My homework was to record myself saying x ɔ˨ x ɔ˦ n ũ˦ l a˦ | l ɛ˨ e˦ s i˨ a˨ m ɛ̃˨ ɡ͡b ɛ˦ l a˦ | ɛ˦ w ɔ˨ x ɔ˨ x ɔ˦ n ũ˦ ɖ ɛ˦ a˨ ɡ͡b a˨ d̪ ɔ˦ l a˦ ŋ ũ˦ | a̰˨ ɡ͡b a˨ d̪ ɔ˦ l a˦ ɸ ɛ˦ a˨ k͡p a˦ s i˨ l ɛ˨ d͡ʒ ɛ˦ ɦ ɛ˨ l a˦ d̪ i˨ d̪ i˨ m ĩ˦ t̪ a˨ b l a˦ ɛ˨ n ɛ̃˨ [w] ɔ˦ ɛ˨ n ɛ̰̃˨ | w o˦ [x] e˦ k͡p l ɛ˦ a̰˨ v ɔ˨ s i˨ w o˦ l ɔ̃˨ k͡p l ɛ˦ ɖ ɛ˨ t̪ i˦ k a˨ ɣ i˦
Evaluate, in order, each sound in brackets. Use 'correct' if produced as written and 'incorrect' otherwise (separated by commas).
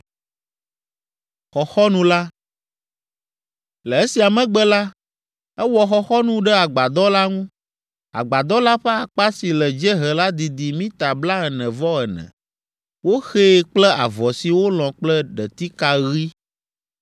incorrect, correct